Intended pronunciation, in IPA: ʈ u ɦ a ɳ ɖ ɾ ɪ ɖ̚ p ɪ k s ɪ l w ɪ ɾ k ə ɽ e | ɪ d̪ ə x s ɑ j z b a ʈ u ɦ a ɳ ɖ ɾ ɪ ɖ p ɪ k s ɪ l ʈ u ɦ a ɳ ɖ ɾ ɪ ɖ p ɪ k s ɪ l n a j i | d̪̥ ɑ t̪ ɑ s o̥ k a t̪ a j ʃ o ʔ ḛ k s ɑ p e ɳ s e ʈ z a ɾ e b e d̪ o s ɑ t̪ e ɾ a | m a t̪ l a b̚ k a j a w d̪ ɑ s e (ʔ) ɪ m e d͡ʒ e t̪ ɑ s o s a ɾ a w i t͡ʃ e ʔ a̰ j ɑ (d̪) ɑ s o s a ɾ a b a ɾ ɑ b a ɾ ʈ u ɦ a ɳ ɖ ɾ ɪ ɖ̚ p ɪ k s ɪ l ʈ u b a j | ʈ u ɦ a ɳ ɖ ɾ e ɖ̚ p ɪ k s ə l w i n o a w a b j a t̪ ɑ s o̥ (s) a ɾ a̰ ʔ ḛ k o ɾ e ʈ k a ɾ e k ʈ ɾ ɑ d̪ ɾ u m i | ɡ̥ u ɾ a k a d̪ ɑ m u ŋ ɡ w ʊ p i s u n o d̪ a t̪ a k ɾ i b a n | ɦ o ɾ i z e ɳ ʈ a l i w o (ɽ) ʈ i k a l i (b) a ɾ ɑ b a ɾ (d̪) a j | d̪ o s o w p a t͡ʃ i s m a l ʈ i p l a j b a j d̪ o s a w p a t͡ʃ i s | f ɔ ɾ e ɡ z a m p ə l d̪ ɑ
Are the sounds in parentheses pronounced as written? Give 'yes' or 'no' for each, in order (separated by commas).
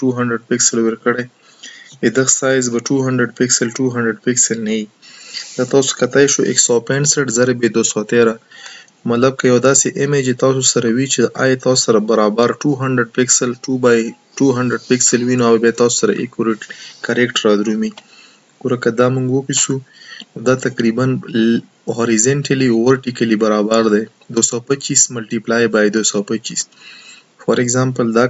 yes, no, yes, no, yes, yes